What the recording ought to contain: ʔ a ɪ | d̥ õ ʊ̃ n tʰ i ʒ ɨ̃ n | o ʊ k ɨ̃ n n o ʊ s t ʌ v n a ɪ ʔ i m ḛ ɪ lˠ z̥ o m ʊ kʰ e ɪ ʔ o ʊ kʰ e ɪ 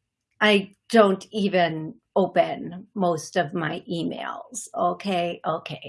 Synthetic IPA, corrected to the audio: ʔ a ɪ | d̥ õ ʊ̃ n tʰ i v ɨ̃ n | o ʊ p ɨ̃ n m o ʊ s t ʌ v m a ɪ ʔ i m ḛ ɪ lˠ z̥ o ʊ kʰ e ɪ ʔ o ʊ kʰ e ɪ